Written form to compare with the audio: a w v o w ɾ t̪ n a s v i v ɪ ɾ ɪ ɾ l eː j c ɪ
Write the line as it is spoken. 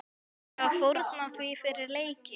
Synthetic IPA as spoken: a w f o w ɾ t̪ n a θ v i f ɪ ɾ ɪ ɾ l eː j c ɪ